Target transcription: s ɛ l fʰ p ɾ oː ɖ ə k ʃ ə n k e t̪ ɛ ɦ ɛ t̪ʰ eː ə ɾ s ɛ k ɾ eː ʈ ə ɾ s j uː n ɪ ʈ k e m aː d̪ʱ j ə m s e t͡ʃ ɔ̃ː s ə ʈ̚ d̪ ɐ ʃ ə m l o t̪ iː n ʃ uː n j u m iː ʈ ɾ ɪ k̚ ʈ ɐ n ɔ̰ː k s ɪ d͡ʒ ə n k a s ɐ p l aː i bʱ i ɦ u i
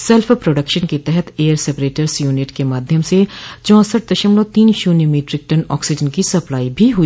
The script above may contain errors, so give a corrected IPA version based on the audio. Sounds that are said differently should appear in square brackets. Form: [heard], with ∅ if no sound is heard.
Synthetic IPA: s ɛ l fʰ p ɾ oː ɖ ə k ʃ ə n k e t̪ ɛ ɦ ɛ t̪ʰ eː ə ɾ s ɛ [p] ɾ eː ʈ ə ɾ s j uː n ɪ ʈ k e m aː d̪ʱ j ə m s e t͡ʃ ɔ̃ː s ə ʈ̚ d̪ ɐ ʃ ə m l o t̪ iː n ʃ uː n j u m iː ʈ ɾ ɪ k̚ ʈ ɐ n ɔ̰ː k s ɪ d͡ʒ ə n k [i] s ɐ p l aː i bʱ i ɦ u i